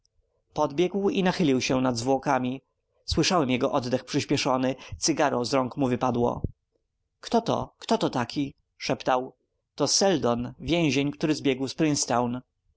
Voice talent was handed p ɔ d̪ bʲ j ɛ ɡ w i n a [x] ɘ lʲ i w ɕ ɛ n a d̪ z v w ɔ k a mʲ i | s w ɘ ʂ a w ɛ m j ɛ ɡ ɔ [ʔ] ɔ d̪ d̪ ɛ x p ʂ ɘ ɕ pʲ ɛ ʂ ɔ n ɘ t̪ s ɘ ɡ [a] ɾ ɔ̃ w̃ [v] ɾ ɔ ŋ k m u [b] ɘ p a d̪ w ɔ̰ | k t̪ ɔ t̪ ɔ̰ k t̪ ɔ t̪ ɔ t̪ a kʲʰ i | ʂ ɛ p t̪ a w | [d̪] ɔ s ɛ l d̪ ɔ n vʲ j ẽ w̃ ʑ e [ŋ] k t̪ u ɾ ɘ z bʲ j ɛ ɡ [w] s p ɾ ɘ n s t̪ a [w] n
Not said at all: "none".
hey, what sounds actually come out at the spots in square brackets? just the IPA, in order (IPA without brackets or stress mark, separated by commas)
x, ʔ, a, z, v, t̪, ɲ, w, w